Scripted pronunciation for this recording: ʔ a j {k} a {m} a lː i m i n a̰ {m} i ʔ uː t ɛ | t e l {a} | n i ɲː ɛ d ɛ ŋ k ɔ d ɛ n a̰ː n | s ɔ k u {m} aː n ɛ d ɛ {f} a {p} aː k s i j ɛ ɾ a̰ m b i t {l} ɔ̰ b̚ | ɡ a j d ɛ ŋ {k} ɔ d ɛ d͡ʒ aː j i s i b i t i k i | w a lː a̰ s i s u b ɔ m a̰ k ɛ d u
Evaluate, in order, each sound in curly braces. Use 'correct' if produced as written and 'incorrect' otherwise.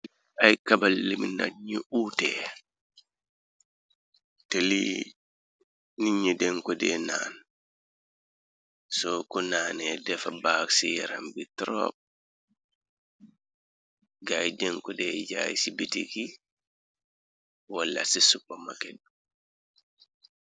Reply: correct, incorrect: b, incorrect: ɲ, incorrect: i, incorrect: n, correct, incorrect: b, incorrect: ɾ, correct

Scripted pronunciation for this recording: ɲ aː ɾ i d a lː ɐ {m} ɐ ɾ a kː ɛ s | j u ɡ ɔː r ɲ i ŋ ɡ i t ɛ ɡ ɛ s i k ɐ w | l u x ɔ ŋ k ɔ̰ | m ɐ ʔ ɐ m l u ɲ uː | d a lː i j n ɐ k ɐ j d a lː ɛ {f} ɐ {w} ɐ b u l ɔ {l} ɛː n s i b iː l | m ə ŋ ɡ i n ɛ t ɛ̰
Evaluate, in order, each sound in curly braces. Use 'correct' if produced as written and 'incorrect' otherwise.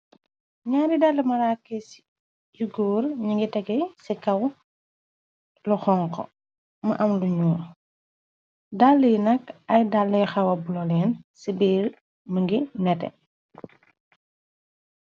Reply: correct, incorrect: x, correct, correct

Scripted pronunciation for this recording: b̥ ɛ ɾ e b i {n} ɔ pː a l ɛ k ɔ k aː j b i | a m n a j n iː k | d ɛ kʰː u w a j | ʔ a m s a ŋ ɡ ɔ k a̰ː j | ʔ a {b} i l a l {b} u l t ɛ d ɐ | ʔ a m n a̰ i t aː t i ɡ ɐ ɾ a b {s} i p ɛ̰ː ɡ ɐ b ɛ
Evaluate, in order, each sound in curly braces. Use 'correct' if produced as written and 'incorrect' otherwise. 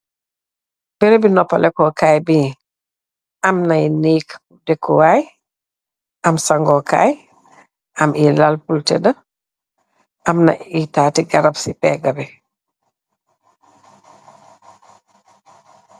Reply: correct, incorrect: m, incorrect: p, correct

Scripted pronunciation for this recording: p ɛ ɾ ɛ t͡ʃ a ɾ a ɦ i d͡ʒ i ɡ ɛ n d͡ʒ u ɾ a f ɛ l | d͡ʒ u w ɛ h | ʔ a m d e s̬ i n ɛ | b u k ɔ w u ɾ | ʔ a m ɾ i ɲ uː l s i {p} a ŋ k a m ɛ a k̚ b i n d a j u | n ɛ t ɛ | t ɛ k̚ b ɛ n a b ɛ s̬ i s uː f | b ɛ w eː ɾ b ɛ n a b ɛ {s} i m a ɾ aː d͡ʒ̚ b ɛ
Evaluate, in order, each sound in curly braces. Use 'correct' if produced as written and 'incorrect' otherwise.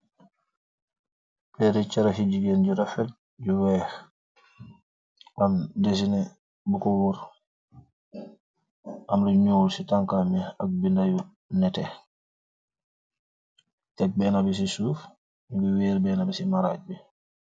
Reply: incorrect: t, correct

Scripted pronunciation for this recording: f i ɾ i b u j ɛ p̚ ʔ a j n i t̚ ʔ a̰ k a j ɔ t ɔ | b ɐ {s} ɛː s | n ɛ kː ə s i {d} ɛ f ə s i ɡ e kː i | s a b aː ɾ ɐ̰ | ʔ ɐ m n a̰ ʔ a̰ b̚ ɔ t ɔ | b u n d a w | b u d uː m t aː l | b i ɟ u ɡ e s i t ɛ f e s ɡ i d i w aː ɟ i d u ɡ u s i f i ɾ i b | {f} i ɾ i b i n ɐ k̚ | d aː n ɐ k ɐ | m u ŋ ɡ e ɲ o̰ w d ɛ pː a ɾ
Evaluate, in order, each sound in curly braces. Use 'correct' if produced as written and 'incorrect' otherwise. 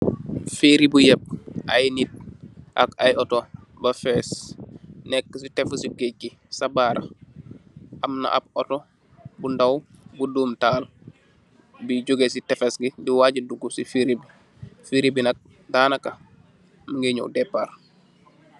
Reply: incorrect: f, incorrect: t, correct

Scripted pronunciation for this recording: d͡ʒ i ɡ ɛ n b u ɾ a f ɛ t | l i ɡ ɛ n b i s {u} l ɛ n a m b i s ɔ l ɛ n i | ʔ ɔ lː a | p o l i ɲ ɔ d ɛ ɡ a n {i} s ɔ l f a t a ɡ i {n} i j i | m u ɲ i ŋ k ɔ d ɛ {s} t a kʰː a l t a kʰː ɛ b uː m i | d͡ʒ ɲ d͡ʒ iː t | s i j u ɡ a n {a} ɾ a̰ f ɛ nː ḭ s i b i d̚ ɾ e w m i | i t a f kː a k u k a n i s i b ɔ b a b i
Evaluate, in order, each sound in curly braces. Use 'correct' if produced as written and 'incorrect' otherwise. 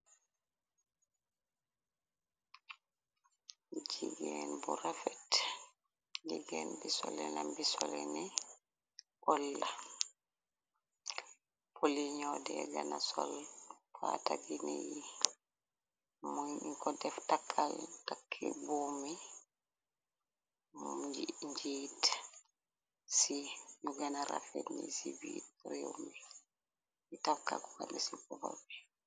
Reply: incorrect: ɔ, incorrect: a, correct, incorrect: f, correct

